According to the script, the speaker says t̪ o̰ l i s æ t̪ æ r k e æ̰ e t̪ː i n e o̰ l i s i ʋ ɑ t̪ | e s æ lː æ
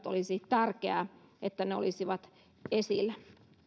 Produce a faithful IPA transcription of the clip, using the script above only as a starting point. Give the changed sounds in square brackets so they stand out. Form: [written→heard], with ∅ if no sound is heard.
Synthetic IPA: t̪ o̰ l i s [æ→i] t̪ æ r k e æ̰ e t̪ː [i→æ] n e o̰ l i s i ʋ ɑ t̪ | e s [æ→i] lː æ